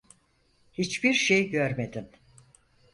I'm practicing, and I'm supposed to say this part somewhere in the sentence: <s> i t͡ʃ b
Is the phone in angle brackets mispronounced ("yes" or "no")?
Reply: yes